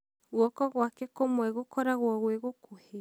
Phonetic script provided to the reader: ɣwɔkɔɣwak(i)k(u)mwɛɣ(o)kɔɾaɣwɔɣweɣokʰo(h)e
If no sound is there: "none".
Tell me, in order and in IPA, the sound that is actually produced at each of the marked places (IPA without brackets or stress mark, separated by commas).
ɛ, o, o, h